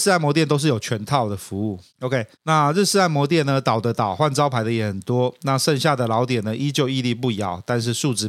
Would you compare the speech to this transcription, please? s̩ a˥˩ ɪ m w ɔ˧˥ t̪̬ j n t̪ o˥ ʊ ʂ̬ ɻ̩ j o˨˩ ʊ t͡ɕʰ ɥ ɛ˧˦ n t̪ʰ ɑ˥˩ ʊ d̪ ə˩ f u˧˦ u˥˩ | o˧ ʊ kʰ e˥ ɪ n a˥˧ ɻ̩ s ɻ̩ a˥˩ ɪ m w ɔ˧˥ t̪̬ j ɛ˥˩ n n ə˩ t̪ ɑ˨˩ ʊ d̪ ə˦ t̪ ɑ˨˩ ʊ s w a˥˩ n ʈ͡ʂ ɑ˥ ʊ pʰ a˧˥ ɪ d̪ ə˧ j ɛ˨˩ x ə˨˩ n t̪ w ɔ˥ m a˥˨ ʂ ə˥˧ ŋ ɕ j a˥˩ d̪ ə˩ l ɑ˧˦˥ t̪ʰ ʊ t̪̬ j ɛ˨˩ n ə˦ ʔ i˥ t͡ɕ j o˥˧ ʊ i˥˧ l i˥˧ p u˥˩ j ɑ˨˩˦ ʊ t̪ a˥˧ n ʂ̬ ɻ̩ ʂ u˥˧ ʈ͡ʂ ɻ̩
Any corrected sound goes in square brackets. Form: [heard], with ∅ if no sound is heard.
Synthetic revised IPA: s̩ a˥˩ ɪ m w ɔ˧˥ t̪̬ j n t̪ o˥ ʊ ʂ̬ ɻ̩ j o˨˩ ʊ t͡ɕʰ ɥ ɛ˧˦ n t̪ʰ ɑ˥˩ ʊ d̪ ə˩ f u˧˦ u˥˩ | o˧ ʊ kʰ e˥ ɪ n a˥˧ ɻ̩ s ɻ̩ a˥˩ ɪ m w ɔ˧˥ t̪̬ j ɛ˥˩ n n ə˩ t̪ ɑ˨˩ ʊ d̪ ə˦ t̪ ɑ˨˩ ʊ [x] w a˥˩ n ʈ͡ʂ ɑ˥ ʊ pʰ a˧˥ ɪ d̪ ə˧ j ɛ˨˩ x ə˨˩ n t̪ w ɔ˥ [n] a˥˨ ʂ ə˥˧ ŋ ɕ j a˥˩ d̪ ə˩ l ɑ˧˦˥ [∅] ʊ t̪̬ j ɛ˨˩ n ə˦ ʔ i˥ t͡ɕ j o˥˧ ʊ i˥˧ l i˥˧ p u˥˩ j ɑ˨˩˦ ʊ t̪ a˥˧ n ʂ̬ ɻ̩ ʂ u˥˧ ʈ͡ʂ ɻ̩